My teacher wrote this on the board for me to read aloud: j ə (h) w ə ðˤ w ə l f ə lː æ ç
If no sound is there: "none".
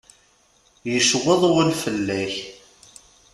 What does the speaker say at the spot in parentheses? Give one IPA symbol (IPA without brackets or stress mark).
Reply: ʃ